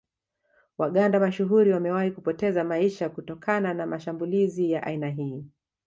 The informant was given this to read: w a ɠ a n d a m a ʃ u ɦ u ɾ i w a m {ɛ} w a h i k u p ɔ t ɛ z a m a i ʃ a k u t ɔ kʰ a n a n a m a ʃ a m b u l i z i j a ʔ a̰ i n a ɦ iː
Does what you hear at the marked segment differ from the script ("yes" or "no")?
no